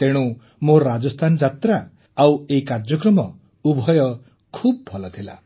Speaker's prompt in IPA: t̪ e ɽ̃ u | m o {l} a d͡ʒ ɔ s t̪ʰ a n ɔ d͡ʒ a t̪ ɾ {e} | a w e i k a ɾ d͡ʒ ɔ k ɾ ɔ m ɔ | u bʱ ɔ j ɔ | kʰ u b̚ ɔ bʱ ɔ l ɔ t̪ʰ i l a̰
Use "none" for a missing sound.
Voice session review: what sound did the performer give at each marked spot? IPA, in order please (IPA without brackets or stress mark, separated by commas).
ɾ, a